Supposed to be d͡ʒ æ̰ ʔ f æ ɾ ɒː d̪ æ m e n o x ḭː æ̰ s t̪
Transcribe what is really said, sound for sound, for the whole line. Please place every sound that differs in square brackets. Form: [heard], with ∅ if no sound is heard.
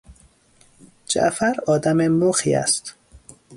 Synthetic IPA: d͡ʒ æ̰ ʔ f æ ɾ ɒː d̪ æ m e [m] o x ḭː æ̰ s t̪